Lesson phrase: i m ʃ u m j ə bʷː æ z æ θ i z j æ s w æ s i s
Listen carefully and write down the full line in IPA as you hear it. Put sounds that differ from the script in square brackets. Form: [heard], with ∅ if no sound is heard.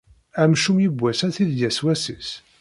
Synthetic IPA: [æ] m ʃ u m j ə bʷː æ [s] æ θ i [ð] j æ s w æ s i s

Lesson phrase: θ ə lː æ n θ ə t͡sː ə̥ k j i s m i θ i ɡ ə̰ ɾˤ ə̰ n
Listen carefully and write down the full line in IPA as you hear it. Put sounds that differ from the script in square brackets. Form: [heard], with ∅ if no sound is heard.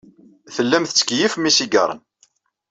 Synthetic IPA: θ ə lː æ [m] θ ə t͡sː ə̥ k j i [f] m i [s] i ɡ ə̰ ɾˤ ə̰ n

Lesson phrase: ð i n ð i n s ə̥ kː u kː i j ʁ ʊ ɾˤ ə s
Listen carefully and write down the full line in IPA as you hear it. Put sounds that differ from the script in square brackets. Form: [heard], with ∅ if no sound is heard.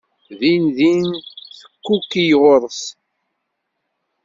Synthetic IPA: ð i n ð i n [θ] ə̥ kː u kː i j ʁ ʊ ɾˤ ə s

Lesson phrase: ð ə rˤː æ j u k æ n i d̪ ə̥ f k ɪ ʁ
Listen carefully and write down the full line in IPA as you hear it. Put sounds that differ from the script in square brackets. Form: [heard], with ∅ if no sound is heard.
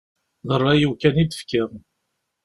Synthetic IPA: ð ə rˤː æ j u k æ n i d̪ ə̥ f k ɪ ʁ

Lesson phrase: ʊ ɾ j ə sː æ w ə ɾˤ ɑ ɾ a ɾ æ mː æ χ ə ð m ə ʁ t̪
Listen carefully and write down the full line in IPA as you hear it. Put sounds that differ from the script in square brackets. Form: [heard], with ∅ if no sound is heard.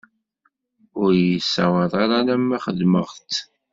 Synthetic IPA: ʊ ɾ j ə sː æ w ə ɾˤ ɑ ɾ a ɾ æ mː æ χ ə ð m ə ʁ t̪

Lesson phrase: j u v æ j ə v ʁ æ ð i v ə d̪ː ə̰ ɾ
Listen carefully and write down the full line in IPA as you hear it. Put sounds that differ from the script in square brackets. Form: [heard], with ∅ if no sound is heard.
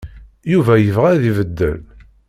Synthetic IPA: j u v æ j ə v ʁ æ ð i v ə d̪ː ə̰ [l]

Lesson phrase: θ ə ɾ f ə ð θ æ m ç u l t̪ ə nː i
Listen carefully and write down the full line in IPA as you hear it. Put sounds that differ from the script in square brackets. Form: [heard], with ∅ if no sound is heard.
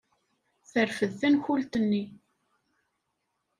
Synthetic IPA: θ ə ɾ f ə ð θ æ [n] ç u l t̪ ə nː i

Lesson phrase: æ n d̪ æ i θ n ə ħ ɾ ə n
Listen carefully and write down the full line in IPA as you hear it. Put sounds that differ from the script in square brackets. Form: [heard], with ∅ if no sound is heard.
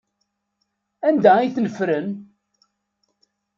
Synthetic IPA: æ n d̪ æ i θ n ə [f] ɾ ə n

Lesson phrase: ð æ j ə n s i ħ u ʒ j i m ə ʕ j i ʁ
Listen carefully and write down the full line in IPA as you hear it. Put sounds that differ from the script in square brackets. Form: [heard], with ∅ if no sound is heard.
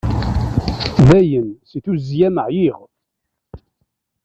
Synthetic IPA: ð æ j ə n s i [θ] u [z] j [æ] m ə ʕ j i ʁ

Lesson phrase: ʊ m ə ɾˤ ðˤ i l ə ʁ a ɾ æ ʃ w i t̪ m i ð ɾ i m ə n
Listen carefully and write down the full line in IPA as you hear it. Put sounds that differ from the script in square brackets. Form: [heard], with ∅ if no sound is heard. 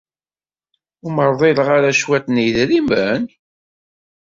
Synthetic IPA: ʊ m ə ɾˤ ðˤ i l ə ʁ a ɾ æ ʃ w [æ] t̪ [n] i ð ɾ i m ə n

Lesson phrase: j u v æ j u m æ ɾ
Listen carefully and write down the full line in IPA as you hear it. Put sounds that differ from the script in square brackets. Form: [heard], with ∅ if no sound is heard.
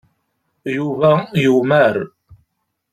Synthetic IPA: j u v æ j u m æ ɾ

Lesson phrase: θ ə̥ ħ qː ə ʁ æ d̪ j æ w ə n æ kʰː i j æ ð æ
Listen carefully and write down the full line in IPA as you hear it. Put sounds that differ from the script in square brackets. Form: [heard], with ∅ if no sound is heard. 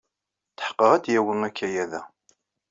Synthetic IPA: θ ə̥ ħ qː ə ʁ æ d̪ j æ w ə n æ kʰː [æ] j æ ð æ

